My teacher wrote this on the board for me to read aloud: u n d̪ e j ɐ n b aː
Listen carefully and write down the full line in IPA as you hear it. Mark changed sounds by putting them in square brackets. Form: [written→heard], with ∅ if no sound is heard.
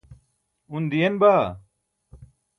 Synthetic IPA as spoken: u n d̪ [e→i] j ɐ n b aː

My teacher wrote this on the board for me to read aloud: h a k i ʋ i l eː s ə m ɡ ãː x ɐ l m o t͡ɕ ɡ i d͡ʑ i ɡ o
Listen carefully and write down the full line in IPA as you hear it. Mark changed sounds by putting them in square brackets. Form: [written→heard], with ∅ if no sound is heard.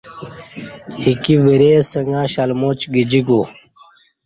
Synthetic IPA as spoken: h [a→i] k i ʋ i [l→ɾ] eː s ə [m→ŋ] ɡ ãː [x→ɕ] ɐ l m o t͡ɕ ɡ i d͡ʑ i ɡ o

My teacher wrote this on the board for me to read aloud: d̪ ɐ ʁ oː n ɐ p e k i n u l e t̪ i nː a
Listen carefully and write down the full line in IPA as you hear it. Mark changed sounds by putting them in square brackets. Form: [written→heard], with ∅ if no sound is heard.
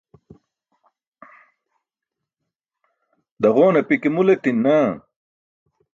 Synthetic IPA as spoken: d̪ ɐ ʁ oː n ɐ p [e→i] k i [n→m] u l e t̪ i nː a

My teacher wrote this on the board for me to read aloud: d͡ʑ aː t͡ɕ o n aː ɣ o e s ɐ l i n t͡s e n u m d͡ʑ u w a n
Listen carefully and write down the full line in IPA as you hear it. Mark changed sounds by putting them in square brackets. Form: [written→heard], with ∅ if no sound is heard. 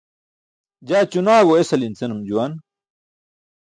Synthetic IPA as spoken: d͡ʑ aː t͡ɕ [o→u] n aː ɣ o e s ɐ l i n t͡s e n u m d͡ʑ u w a n

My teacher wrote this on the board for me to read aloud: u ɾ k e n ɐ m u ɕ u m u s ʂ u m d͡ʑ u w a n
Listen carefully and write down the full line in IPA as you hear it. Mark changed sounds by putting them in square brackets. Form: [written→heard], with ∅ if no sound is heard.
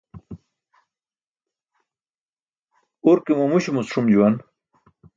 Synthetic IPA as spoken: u ɾ k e [n→m] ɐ m u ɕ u m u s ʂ u m d͡ʑ u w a n

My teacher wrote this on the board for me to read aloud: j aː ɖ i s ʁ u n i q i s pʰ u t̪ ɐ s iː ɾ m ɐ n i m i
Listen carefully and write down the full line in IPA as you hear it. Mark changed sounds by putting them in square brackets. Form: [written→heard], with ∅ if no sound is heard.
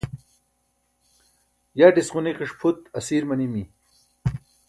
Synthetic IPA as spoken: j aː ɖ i s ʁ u n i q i [s→ʂ] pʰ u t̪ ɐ s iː ɾ m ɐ n i m i

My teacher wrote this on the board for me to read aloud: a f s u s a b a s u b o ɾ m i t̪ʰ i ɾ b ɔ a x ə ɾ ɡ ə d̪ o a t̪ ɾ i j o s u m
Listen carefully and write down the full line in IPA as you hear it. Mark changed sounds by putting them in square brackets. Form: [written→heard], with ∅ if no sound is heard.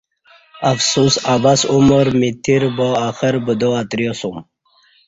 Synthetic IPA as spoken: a f s u s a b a s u [b→m] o ɾ m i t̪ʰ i ɾ b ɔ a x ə ɾ [ɡ→b] ə d̪ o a t̪ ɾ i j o s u m

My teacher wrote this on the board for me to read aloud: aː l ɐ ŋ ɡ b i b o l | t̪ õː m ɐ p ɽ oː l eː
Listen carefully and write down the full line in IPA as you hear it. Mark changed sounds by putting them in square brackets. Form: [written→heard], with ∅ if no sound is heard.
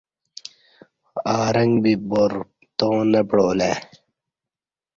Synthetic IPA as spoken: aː [l→ɾ] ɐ ŋ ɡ b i b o [l→ɾ] | t̪ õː [m→n] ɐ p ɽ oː l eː

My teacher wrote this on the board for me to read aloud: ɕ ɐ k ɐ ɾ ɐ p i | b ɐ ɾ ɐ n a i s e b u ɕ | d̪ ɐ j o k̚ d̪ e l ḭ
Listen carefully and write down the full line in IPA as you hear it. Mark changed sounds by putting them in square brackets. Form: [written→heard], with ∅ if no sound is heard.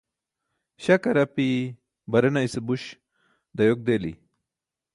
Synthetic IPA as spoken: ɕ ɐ k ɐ ɾ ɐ p i | b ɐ ɾ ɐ n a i s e b u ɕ | d̪ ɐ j o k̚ d̪ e l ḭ

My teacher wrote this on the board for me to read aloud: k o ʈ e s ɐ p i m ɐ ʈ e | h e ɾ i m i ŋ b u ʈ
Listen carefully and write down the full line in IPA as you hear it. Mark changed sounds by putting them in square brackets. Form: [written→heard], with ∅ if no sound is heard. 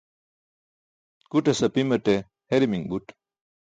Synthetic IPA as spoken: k [o→u] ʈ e s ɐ p i m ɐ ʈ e | h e ɾ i m i ŋ b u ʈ

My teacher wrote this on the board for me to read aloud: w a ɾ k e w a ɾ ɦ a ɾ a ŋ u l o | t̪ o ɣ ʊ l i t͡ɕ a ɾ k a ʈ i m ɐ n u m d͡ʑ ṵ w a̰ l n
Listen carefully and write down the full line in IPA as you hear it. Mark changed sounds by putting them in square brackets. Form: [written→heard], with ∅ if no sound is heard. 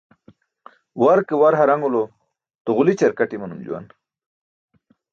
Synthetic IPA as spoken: w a ɾ k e w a ɾ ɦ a ɾ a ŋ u l o | t̪ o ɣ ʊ l i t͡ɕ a ɾ k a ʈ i m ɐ n u m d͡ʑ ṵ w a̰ [l→∅] n

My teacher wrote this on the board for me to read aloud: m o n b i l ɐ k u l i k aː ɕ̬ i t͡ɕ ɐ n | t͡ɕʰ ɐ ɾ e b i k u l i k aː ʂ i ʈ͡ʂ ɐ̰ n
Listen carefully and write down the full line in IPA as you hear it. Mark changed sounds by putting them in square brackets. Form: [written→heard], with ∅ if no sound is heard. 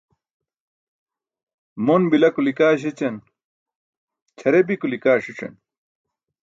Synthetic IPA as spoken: m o n b i l ɐ k u l i k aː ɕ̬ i t͡ɕ ɐ n | t͡ɕʰ ɐ ɾ e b i k u l i k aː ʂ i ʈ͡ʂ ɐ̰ n

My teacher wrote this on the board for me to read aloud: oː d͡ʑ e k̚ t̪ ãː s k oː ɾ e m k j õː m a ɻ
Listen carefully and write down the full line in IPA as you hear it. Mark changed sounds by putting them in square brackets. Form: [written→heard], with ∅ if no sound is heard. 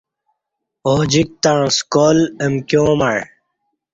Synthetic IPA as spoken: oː d͡ʑ [e→i] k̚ t̪ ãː s k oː [ɾ→l] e m k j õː m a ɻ

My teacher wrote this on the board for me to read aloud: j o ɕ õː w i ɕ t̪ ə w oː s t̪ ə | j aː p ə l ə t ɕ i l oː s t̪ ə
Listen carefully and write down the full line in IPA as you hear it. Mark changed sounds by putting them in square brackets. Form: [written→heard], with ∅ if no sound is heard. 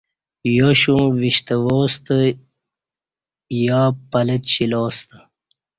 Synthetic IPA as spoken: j o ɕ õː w i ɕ t̪ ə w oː s t̪ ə | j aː p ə l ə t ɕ i l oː s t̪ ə

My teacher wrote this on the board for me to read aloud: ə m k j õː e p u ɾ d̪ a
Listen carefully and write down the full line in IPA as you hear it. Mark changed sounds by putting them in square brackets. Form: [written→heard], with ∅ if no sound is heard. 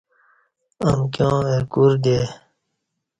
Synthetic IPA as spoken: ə m k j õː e [p→k] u ɾ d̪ [a→e]

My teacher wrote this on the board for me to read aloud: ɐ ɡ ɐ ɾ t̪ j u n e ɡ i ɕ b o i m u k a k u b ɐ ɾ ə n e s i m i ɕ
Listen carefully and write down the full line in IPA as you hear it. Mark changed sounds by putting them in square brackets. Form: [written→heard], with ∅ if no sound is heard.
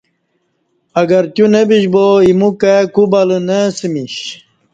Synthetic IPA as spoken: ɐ ɡ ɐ ɾ t̪ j u n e [ɡ→b] i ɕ b o i m u k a k u b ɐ [ɾ→l] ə n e s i m i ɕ

